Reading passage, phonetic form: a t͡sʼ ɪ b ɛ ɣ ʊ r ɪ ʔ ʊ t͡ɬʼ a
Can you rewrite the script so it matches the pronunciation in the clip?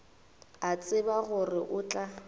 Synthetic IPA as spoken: a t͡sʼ ɪ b a ɣ ʊ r ɪ ʔ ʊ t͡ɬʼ a